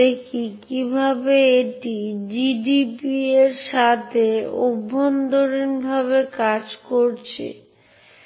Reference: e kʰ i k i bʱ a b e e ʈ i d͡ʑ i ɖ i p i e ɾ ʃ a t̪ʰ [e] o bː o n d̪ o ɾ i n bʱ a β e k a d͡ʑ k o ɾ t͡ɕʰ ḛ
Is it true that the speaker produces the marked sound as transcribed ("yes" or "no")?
yes